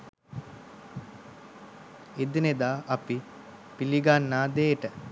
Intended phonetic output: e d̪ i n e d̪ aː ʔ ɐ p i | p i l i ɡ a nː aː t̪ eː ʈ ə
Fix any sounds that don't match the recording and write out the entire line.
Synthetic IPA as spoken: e d̪ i n e d̪ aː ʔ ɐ p i | p i l i ɡ a nː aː d̪ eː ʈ ə